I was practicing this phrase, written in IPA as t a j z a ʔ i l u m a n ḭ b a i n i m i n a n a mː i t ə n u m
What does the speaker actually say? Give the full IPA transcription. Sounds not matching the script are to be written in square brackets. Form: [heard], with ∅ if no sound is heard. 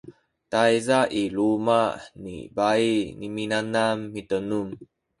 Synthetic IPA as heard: t a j z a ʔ i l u m a n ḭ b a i n i m i n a n a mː i t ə n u m